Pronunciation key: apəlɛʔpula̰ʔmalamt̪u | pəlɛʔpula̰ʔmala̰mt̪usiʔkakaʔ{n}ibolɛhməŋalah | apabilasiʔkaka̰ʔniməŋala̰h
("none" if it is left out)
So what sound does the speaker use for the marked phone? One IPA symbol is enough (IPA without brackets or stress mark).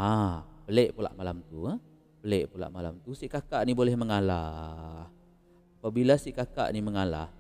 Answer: n